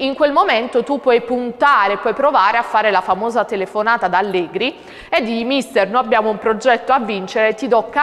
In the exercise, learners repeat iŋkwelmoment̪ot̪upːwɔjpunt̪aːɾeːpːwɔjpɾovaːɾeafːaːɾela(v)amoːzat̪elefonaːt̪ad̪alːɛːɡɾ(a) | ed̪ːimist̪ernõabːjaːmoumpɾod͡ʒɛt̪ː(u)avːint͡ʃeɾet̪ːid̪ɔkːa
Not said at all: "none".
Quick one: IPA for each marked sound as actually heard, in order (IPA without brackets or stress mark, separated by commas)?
f, i, o